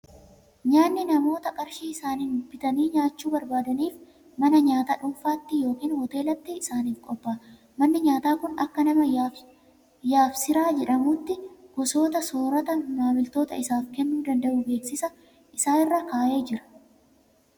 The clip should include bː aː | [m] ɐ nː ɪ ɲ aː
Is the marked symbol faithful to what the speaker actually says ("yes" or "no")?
yes